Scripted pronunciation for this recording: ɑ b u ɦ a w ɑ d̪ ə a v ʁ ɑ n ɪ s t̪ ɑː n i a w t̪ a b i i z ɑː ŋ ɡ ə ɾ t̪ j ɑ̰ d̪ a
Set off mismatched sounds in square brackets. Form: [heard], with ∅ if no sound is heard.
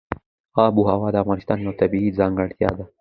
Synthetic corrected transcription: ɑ b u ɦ a w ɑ d̪ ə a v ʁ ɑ n ɪ s t̪ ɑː n [j] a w t̪ a b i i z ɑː ŋ ɡ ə [ɽ] t̪ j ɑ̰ d̪ a